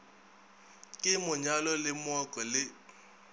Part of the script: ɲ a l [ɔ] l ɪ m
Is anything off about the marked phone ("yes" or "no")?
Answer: no